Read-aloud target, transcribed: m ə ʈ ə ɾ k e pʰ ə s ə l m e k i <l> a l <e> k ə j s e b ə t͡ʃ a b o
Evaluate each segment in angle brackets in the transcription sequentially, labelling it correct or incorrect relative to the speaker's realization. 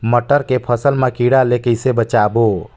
incorrect, correct

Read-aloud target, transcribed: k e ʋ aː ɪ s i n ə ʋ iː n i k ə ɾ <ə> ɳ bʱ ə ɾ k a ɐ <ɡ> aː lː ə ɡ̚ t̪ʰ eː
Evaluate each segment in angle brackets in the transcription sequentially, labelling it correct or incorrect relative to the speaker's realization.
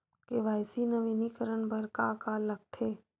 correct, incorrect

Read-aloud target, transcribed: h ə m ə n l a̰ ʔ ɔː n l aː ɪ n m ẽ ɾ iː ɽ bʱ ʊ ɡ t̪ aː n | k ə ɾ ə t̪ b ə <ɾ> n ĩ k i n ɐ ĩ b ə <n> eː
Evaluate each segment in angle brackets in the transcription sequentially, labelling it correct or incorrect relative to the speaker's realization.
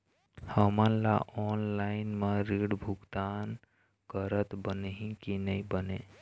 incorrect, correct

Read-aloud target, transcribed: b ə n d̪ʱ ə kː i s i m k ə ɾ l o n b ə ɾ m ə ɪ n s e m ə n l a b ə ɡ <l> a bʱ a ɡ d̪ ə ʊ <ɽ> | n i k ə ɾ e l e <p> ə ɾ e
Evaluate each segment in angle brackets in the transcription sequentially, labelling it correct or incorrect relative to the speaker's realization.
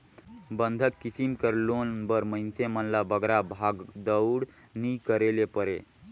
incorrect, correct, correct

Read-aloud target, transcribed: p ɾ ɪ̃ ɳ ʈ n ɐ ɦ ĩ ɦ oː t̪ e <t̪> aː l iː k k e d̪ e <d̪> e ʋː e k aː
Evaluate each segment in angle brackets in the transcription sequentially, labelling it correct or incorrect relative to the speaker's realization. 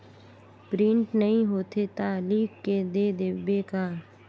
correct, correct

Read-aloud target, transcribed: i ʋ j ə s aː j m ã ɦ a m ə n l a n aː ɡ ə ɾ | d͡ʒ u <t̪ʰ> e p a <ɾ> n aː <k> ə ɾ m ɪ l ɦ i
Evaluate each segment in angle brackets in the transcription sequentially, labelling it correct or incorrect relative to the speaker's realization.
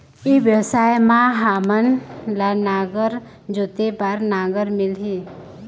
incorrect, correct, incorrect

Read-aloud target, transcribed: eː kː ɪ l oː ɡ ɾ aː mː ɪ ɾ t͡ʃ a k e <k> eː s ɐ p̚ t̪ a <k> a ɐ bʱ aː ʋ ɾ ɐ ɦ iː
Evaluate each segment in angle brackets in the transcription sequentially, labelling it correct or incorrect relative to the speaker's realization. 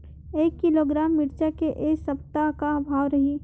incorrect, correct

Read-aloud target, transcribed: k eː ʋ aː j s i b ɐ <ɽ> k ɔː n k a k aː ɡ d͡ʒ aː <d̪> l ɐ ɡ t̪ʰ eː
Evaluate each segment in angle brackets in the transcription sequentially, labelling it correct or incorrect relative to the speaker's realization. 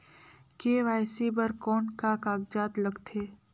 incorrect, incorrect

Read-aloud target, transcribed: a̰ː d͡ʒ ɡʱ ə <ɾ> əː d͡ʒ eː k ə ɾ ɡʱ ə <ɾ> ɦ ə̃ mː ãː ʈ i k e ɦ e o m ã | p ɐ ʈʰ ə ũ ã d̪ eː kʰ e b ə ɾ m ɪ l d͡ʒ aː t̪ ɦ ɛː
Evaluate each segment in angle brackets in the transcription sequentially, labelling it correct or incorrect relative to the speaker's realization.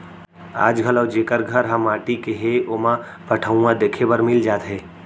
incorrect, correct

